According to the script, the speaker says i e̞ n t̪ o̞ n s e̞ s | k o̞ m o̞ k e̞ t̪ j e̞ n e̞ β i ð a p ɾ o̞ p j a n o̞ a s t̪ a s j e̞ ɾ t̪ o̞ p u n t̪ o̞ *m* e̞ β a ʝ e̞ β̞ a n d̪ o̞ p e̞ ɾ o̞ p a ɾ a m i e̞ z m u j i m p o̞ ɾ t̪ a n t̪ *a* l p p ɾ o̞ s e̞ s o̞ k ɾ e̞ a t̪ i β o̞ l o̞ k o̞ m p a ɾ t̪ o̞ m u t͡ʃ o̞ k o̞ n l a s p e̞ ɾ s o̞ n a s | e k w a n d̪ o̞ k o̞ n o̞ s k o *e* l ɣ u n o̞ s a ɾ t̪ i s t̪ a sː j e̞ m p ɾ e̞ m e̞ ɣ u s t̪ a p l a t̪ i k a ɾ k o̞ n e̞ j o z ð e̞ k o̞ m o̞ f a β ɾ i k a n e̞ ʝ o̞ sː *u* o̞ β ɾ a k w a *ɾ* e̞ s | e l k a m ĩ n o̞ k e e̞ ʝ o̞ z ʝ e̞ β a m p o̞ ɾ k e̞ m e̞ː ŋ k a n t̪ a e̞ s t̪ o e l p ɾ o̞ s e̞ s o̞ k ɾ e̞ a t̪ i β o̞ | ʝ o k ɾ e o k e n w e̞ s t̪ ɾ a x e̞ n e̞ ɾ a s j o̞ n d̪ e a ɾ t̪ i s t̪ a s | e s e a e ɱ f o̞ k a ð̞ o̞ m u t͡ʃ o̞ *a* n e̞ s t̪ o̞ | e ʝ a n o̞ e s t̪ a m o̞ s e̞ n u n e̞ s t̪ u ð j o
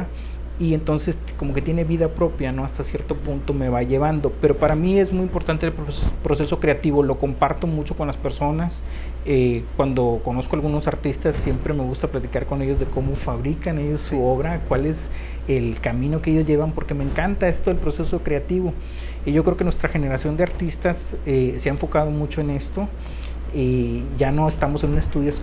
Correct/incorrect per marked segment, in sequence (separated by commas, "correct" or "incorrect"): correct, incorrect, incorrect, correct, incorrect, incorrect